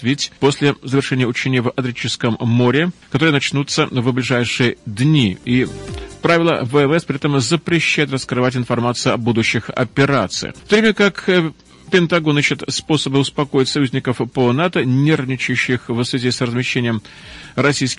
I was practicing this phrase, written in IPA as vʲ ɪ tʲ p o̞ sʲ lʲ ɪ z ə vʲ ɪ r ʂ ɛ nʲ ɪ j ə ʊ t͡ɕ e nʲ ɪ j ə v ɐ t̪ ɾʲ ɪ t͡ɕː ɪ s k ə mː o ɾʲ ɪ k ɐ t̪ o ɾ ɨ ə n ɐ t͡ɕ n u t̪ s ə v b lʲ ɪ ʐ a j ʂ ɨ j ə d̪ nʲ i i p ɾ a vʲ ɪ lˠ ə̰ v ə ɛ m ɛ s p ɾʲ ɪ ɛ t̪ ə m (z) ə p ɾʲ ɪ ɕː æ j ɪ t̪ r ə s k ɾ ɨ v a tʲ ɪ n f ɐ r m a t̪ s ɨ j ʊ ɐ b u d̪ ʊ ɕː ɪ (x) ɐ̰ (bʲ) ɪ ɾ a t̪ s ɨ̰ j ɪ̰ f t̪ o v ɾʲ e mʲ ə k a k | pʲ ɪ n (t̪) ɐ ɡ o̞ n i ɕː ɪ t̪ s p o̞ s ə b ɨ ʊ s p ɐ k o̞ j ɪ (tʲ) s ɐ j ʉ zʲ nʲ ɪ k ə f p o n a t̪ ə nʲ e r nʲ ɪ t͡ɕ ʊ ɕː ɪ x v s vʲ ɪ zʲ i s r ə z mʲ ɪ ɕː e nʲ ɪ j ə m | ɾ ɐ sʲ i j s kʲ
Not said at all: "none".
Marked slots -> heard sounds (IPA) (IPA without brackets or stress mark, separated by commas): z, x, pʲ, t̪, tʲ